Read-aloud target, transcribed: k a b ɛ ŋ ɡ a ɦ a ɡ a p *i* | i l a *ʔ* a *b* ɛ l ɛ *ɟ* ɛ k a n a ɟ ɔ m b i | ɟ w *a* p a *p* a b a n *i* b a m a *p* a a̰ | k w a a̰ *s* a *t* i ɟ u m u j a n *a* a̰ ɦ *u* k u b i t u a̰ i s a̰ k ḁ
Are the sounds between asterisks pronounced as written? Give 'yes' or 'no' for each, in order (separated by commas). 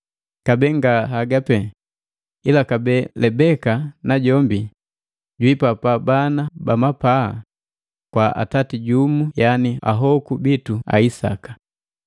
no, no, yes, no, no, yes, no, yes, no, yes, no, no